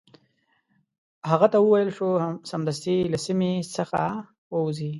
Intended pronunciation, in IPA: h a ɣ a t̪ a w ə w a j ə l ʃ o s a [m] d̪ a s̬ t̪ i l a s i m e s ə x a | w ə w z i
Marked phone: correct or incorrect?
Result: correct